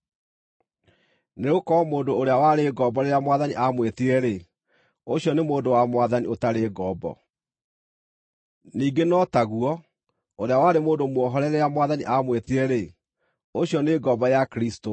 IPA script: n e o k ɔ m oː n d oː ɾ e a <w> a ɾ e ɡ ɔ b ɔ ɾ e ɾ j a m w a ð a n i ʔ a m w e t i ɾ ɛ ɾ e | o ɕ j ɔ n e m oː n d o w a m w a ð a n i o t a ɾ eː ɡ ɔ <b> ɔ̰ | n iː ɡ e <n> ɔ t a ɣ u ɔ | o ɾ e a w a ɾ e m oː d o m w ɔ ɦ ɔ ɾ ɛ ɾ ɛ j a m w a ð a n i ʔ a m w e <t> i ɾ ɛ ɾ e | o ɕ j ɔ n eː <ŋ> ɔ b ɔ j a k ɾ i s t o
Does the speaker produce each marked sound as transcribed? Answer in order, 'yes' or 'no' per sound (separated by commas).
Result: yes, yes, yes, yes, no